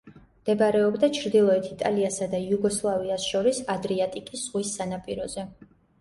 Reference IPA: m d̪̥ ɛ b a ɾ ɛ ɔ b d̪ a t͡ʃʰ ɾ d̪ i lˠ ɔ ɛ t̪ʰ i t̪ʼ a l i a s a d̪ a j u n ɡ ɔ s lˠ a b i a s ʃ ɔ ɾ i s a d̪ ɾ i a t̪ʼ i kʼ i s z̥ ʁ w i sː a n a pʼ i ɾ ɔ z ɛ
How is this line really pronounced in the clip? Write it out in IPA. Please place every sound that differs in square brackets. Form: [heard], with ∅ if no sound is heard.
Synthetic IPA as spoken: m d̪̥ ɛ b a ɾ ɛ ɔ b d̪ a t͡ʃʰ ɾ d̪ i lˠ ɔ ɛ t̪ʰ i t̪ʼ a l i a s a d̪ a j u [∅] ɡ ɔ s lˠ a [v] i a s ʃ ɔ ɾ i s a d̪ ɾ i a t̪ʼ i kʼ i s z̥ ʁ w i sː a n a pʼ i ɾ ɔ z ɛ